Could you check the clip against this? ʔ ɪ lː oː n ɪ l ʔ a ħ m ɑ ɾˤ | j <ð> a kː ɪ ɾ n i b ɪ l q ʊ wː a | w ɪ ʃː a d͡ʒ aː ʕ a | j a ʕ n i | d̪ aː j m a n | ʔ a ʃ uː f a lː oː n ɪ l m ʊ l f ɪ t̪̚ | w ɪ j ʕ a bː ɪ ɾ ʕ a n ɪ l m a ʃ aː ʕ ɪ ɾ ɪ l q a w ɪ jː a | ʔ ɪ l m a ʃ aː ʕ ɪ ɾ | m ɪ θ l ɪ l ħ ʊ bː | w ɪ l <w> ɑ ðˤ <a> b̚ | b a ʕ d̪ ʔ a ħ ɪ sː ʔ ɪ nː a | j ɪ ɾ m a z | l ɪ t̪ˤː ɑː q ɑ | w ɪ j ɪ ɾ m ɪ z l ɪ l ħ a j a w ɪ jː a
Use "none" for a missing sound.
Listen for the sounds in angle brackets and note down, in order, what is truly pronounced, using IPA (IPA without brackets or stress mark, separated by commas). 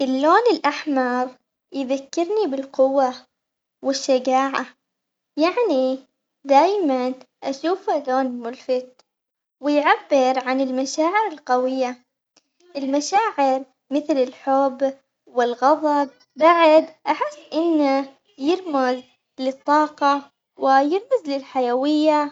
ð, ɣ, ɑ